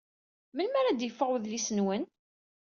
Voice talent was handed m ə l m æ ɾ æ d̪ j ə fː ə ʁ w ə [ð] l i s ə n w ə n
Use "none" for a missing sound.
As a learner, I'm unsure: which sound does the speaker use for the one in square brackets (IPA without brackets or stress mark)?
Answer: ð